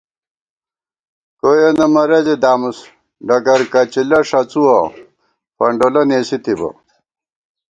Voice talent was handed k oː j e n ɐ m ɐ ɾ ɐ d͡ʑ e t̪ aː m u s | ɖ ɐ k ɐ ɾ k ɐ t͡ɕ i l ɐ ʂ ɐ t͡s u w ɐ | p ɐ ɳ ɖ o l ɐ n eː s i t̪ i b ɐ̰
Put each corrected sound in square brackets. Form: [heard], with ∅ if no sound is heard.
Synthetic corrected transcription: k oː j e n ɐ m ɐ ɾ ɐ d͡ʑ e [d̪] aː m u s | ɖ ɐ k ɐ ɾ k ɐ t͡ɕ i l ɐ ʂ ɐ t͡s u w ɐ | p ɐ ɳ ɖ o l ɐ n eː s i t̪ i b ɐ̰